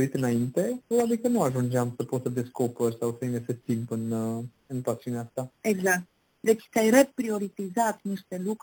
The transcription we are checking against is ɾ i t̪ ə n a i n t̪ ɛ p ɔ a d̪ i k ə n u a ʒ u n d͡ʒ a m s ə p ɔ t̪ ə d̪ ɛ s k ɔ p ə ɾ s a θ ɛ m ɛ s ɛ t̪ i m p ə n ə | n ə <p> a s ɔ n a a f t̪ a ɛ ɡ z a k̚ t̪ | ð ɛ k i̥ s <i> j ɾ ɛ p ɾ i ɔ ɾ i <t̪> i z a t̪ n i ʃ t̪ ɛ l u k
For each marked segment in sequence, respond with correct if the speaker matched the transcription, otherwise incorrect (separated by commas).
correct, incorrect, correct